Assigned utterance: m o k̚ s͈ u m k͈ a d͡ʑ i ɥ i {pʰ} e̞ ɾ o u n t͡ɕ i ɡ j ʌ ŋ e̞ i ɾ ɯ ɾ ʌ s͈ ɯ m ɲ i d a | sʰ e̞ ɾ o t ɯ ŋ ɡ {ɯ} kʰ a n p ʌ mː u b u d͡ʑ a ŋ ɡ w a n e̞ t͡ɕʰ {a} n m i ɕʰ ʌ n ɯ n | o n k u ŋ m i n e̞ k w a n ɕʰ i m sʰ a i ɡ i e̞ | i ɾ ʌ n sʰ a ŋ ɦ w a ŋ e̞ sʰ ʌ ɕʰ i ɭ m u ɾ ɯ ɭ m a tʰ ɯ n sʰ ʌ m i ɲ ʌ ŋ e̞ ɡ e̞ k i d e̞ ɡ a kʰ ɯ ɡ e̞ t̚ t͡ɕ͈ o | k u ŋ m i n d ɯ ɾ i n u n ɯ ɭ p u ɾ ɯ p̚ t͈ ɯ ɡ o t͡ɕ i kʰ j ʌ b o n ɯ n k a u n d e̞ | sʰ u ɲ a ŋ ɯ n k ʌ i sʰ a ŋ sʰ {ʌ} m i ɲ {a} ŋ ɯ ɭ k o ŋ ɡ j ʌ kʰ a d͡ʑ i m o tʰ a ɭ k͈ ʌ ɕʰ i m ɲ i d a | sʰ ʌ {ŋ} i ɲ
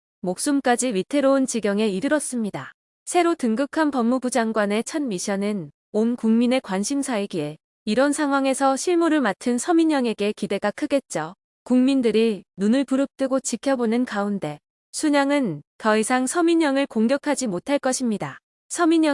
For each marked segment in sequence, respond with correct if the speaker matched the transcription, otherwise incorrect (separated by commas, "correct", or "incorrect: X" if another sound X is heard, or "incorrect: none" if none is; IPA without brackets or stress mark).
incorrect: tʰ, correct, incorrect: ʌ, correct, incorrect: ʌ, incorrect: m